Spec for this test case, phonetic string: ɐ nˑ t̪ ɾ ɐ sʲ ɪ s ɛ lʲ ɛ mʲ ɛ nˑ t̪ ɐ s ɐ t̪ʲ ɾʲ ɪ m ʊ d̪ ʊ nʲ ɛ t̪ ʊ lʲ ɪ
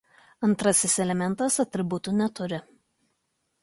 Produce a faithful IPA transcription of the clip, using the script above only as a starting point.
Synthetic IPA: ɐ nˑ t̪ ɾ ɐ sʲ ɪ s ɛ lʲ ɛ mʲ ɛ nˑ t̪ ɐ s ɐ t̪ʲ ɾʲ ɪ b ʊ t̪ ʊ nʲ ɛ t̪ ʊ ɾʲ ɪ